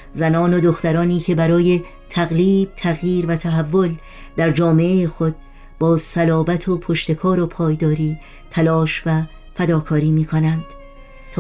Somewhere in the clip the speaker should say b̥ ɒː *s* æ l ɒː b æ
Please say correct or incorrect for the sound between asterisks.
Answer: correct